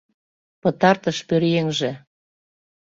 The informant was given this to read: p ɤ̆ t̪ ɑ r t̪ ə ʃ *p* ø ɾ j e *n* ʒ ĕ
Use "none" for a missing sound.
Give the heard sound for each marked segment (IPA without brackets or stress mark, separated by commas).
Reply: p, ŋ